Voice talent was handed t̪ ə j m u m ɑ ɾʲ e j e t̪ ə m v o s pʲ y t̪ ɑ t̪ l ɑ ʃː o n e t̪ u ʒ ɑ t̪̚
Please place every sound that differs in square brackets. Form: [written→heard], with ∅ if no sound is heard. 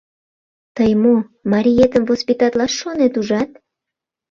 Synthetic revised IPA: t̪ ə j m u m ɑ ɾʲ [e→i] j e t̪ ə m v o s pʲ [y→i] t̪ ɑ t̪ l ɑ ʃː o n e t̪ u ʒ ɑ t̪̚